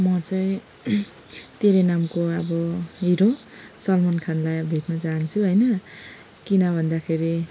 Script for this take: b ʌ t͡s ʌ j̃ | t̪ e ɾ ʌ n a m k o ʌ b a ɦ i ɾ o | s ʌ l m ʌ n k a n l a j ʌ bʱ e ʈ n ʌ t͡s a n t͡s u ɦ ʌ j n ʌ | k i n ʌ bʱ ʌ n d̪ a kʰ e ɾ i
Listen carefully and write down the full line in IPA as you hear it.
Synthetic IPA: m ʌ t͡s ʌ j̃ | t̪ e ɾ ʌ n a m k o ʌ b ʌ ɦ i ɾ o | s ʌ l m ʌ n kʰ a n l a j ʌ bʱ e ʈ n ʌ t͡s a n t͡sʰ u ɦ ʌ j n ʌ | k i n ʌ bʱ ʌ n d̪ a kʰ e ɾ i